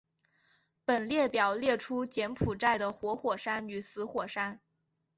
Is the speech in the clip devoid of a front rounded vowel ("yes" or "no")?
no